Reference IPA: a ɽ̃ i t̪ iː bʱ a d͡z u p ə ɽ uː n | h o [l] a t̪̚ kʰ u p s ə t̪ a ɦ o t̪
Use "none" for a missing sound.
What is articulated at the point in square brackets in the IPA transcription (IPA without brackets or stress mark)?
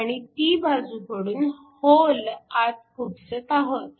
l